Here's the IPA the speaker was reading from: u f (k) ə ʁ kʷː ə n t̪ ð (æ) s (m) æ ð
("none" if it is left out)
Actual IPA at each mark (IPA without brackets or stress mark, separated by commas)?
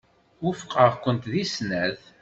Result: q, i, n